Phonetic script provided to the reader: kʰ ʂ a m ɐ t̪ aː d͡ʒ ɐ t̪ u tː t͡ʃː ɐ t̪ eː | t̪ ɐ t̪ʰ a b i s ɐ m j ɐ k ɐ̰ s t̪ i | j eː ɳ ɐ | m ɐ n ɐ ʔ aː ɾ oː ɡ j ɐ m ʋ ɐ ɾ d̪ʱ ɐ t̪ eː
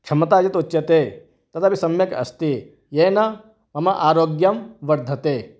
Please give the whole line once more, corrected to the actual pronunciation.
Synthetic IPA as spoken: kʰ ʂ ɐ m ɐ t̪ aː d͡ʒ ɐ t̪ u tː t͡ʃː ɐ t̪ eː | t̪ ɐ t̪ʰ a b i s ɐ m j ɐ k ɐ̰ s t̪ i | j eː n ɐ | m ɐ m ɐ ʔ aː ɾ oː ɡ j ɐ m ʋ ɐ ɾ d̪ʱ ɐ t̪ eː